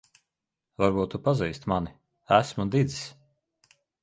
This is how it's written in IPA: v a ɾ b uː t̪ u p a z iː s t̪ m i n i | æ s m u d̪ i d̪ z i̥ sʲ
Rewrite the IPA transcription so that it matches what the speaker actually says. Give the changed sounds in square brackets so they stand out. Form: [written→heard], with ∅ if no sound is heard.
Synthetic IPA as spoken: v a ɾ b uː t̪ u p a z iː s t̪ m [i→a] n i | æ s m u d̪ i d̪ z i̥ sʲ

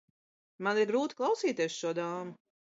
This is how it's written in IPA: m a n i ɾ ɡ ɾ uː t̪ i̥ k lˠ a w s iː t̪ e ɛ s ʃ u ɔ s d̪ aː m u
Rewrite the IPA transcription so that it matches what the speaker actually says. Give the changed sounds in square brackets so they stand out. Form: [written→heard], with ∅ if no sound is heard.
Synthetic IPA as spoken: m a n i ɾ ɡ ɾ uː t̪ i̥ k lˠ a w s iː t̪ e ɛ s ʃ u ɔ [s→∅] d̪ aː m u

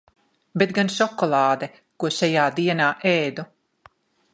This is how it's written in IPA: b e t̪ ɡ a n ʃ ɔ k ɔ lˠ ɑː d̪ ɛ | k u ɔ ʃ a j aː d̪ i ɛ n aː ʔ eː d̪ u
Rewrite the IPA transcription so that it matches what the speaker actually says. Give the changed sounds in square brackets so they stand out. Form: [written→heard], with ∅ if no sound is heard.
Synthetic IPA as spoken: b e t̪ ɡ a n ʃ ɔ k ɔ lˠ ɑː d̪ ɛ | k u ɔ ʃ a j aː d̪ i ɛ n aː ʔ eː d̪ u

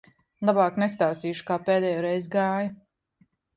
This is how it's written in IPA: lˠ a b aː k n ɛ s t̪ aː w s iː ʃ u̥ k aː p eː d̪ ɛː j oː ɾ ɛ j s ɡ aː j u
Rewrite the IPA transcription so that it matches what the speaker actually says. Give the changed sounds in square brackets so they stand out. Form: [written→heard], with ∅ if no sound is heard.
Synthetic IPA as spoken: lˠ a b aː k n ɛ s t̪ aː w s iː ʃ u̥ k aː p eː d̪ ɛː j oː ɾ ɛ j [s→z] ɡ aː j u

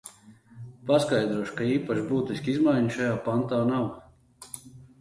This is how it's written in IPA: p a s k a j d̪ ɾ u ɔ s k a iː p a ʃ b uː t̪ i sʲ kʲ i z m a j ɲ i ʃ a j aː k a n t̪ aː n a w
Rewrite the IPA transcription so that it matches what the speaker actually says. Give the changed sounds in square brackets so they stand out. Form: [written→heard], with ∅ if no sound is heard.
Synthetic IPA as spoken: p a s k a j d̪ ɾ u ɔ [s→ʃ] k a iː p a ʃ b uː t̪ i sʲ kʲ i z m a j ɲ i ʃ a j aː [k→p] a n t̪ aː n a w

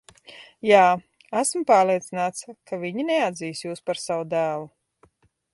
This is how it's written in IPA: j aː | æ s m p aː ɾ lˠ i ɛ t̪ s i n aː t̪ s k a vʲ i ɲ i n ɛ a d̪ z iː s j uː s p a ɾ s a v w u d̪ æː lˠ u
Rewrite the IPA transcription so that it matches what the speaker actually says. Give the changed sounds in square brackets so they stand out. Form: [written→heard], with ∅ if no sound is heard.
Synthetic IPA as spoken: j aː | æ s m p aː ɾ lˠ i ɛ t̪ s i n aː t̪ s k a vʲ i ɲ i n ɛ a d̪ z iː s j uː s p a ɾ s a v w u d̪ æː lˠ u

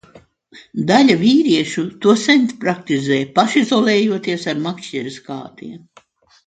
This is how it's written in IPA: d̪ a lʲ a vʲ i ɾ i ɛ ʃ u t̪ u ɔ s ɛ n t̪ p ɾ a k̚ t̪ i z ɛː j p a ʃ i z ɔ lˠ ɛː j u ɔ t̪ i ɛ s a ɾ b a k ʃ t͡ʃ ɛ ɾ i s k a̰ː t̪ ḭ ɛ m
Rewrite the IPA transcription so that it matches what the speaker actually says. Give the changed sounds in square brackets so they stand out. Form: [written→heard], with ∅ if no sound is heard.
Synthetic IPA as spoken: d̪ a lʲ a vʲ [i→iː] ɾ i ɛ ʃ u t̪ u ɔ s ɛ n t̪ p ɾ a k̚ t̪ i z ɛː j p a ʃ i z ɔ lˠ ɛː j u ɔ t̪ i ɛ s a ɾ [b→m] a k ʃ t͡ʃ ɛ ɾ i s k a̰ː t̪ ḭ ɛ m

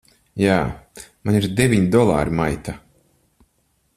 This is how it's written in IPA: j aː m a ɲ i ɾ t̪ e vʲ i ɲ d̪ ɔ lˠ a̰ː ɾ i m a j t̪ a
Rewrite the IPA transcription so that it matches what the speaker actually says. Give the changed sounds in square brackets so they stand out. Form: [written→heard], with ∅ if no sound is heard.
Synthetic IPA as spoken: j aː m a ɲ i ɾ [t̪→d̪] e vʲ i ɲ d̪ ɔ lˠ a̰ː ɾ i m a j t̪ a

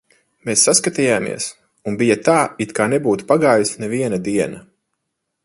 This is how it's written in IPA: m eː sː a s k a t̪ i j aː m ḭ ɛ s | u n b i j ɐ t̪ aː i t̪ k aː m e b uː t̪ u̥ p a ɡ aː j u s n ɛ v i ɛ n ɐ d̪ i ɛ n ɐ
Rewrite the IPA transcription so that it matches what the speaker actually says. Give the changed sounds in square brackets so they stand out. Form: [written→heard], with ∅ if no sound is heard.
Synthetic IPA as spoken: m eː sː a s k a t̪ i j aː m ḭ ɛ s | u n b i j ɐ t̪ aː i t̪ k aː [m→n] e b uː t̪ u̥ p a ɡ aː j u s n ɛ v i ɛ n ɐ d̪ i ɛ n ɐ

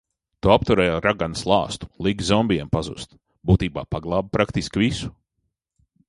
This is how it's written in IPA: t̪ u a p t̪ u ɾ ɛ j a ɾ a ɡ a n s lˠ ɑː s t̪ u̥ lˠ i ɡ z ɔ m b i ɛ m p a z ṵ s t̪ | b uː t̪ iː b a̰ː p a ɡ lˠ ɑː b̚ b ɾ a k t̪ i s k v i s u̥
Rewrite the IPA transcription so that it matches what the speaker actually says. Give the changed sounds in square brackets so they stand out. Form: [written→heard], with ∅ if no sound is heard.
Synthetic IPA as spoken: t̪ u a p t̪ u ɾ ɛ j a ɾ a ɡ a n s lˠ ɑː s t̪ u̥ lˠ i ɡ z ɔ m b i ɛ m p a z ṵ s t̪ | b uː t̪ iː b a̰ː p a ɡ lˠ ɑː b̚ [b→p] ɾ a k t̪ i s k v i s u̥

